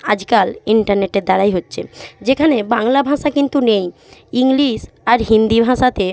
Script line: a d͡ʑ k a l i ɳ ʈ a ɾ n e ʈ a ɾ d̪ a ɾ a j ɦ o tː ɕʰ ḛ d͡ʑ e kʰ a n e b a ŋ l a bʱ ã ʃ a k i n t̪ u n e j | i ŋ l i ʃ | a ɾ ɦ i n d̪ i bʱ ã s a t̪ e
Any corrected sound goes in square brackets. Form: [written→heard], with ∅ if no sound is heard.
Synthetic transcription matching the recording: a d͡ʑ k a l i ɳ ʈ a ɾ n e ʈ [a→e] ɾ d̪ a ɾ a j ɦ o tː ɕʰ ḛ d͡ʑ e kʰ a n e b a ŋ l a bʱ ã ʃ a k i n t̪ u n e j | i ŋ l i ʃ | a ɾ ɦ i n d̪ i bʱ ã [s→ʃ] a t̪ e